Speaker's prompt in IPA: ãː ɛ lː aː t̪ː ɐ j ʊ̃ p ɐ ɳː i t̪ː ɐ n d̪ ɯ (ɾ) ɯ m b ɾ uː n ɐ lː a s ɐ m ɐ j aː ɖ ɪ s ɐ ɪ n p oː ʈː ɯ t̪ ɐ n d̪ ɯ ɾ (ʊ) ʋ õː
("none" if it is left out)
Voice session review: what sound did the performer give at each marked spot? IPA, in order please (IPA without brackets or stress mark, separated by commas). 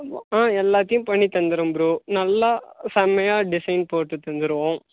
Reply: ɾ, ɯ